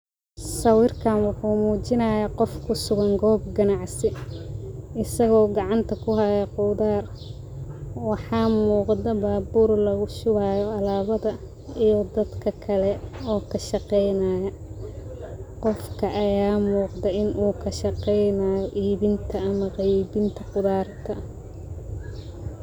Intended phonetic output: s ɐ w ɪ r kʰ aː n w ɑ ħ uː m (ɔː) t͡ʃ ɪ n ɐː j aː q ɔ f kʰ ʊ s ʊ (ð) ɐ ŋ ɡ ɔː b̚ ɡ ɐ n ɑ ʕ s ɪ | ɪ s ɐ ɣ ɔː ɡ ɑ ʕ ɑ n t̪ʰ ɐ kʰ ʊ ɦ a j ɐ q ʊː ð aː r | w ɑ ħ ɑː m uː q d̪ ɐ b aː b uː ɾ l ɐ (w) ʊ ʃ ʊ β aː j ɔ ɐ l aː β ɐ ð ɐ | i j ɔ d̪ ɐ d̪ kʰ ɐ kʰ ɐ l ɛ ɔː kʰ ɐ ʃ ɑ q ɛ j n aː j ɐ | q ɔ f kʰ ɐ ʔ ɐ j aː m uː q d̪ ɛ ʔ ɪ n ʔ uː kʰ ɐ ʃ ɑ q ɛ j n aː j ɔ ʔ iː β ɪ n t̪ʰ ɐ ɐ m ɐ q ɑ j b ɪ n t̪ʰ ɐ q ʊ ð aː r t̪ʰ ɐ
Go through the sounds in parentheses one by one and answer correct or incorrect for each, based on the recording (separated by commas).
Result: incorrect, incorrect, incorrect